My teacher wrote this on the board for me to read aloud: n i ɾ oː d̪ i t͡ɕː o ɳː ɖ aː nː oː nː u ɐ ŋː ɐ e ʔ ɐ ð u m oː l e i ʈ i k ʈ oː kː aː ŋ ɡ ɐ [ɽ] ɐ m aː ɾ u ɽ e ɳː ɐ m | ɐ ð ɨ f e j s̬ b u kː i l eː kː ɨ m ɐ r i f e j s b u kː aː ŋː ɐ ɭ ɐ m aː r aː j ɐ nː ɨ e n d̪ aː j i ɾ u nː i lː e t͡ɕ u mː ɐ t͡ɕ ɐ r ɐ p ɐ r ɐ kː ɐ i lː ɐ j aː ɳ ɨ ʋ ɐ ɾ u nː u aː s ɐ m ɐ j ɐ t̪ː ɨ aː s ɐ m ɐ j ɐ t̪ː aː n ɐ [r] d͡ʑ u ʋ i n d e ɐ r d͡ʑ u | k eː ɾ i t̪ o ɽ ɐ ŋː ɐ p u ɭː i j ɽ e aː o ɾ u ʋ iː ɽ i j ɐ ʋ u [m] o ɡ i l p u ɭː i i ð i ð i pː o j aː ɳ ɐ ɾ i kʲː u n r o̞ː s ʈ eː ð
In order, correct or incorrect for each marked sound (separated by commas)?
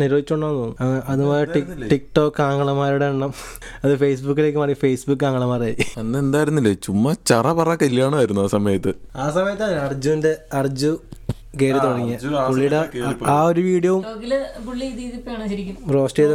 incorrect, correct, correct